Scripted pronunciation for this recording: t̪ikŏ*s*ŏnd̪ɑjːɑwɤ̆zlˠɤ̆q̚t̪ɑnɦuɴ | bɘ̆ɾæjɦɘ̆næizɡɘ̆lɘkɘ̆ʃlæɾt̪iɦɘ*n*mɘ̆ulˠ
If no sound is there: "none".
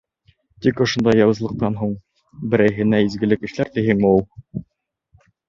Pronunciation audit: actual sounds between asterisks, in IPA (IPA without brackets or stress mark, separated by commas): ʃ, ŋ